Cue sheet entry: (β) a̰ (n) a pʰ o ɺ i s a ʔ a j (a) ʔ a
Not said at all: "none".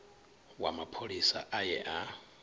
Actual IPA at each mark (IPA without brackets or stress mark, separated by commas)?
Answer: w, m, ɛ